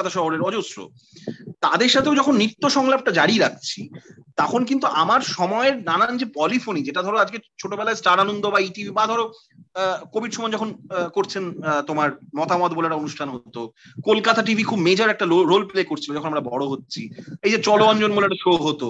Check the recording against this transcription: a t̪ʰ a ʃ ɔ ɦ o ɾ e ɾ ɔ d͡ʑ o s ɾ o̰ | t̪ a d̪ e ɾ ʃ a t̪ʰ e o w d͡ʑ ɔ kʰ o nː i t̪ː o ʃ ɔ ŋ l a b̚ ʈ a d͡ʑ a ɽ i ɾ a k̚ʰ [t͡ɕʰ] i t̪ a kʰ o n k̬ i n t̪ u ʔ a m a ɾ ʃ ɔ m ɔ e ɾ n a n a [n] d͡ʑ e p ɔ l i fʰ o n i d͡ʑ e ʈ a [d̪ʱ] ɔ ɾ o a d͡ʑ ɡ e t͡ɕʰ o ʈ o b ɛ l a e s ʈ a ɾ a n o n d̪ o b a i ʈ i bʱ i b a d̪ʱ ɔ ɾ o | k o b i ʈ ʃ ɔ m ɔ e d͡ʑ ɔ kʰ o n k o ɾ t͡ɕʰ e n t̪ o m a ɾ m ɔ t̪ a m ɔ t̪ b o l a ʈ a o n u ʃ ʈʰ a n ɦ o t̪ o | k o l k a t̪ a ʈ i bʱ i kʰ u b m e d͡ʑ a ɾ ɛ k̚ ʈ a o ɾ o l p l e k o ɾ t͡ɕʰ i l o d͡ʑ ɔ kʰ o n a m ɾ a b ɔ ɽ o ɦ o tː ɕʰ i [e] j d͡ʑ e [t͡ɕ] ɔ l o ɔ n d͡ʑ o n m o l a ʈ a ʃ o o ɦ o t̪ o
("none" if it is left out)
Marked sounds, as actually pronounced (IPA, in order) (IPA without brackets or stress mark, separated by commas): t͡ɕʰ, n, d̪ʱ, e, t͡ɕ